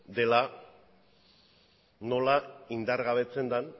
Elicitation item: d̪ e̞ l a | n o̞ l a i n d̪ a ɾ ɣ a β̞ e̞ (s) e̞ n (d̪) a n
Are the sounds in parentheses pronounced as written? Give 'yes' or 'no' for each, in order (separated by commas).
no, yes